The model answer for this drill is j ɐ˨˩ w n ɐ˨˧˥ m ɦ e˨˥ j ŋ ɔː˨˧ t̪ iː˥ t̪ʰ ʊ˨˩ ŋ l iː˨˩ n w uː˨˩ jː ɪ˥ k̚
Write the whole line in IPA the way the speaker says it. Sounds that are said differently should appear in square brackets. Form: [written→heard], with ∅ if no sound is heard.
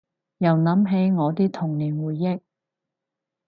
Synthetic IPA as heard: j ɐ˨˩ w n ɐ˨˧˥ m ɦ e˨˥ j ŋ ɔː˨˧ t̪ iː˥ t̪ʰ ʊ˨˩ ŋ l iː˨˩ n w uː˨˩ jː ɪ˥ k̚